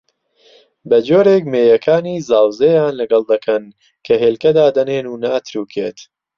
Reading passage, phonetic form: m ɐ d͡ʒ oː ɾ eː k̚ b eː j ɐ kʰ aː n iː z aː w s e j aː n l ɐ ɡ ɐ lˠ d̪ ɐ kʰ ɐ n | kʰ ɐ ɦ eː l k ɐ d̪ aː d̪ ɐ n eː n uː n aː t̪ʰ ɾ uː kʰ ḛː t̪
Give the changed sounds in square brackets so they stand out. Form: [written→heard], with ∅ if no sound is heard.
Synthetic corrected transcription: [m→b] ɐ d͡ʒ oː ɾ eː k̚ [b→m] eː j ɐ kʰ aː n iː z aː w [s→z] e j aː n l ɐ ɡ ɐ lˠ d̪ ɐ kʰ ɐ n | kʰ ɐ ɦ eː l k ɐ d̪ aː d̪ ɐ n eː n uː n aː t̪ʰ ɾ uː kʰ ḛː t̪